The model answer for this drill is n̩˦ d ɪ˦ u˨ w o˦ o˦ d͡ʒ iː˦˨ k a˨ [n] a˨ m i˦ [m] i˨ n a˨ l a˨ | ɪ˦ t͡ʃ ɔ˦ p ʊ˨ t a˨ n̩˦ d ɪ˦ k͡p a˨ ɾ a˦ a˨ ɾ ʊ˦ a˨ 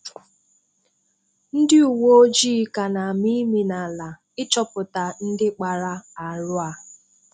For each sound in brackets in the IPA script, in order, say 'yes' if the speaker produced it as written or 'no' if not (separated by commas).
yes, yes